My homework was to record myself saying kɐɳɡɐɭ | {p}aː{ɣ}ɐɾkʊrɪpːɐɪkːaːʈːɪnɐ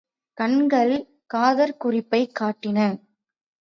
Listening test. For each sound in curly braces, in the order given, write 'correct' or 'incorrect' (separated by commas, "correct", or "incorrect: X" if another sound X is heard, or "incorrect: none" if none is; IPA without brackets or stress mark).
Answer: incorrect: k, incorrect: ð